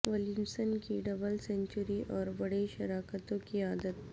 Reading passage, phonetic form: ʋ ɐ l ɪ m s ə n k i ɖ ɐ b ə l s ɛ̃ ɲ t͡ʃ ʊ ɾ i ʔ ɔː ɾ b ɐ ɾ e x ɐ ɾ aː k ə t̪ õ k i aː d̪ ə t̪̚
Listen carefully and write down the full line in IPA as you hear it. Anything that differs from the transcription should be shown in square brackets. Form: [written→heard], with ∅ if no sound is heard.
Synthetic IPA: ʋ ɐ l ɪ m s ə n k i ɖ ɐ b ə l s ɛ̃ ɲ t͡ʃ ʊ ɾ i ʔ ɔː ɾ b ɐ [ɾ→ɽ] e [x→ʃ] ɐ ɾ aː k ə t̪ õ k i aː d̪ ə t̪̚